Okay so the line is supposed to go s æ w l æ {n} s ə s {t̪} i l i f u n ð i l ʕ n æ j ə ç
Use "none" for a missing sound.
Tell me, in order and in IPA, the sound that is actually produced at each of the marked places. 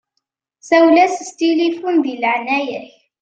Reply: none, t̪

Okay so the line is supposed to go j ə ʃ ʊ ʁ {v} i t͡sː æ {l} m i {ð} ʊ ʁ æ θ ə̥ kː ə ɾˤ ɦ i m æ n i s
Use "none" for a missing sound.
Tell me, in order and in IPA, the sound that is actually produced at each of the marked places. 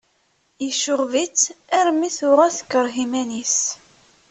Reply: v, ɾ, θ

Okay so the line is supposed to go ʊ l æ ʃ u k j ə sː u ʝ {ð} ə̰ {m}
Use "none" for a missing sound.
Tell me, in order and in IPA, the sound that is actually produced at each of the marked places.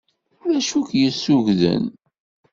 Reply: ð, n

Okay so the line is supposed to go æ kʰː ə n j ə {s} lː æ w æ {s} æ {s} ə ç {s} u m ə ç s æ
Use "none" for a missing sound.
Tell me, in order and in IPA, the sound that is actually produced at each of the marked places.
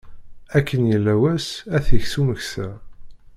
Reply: none, s, θ, s

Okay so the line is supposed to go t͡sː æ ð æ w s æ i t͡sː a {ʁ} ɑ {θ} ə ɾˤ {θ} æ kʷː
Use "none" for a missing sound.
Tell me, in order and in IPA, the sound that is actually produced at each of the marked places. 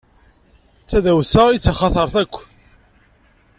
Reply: χ, θ, θ

